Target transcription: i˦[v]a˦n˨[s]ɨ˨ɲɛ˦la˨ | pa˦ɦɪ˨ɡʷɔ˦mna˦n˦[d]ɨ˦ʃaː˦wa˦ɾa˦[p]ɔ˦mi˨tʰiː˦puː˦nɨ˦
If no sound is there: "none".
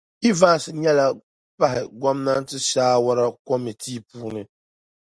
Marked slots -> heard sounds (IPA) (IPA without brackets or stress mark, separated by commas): v, s, t, k